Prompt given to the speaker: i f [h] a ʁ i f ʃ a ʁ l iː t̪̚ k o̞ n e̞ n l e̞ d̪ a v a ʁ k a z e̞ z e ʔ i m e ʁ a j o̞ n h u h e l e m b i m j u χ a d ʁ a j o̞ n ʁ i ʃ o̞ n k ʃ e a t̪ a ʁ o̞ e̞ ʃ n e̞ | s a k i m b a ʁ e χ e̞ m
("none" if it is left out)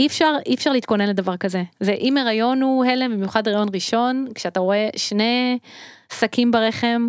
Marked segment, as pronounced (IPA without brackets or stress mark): ʃ